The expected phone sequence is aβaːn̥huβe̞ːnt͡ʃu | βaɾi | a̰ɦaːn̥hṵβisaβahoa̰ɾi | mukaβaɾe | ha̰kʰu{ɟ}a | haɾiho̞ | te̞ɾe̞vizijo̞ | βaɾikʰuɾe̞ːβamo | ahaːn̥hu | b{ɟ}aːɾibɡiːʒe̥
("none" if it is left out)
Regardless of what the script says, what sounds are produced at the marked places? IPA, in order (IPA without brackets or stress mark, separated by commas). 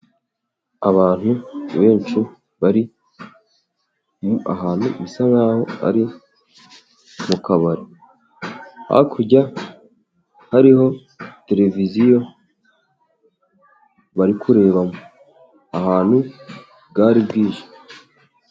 ɟ, ɡ